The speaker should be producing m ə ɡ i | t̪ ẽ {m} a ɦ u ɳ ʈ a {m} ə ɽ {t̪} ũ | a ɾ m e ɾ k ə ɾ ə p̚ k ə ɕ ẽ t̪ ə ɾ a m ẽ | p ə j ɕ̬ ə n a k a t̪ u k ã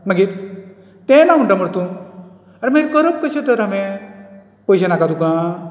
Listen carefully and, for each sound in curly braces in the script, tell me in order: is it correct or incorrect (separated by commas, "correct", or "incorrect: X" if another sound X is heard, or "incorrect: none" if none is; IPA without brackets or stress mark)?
incorrect: n, correct, correct